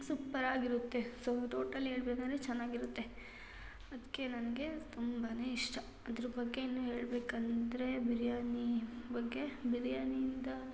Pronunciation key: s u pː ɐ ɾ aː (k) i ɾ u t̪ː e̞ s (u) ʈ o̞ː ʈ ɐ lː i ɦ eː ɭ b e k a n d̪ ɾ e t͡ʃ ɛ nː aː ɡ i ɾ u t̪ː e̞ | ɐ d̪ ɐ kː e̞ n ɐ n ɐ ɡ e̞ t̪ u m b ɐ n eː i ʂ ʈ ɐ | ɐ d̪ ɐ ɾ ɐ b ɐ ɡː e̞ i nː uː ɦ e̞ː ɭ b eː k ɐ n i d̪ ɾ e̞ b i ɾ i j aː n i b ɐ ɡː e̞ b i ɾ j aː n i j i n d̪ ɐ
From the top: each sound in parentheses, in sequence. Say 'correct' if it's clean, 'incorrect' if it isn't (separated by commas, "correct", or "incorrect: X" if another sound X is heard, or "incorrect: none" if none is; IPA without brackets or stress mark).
incorrect: ɡ, incorrect: o